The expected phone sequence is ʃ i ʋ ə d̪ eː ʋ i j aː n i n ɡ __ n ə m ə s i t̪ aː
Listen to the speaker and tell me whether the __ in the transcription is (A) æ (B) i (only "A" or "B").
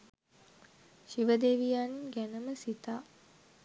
A